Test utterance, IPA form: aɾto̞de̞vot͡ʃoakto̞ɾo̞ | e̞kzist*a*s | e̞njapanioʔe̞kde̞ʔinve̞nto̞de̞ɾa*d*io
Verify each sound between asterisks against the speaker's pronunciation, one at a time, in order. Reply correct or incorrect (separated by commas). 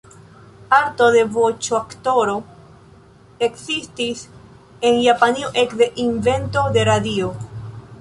incorrect, correct